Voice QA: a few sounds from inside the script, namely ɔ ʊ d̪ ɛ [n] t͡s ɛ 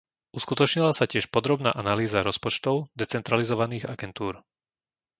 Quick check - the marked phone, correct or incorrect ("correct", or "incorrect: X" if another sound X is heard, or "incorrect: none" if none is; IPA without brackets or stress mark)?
incorrect: none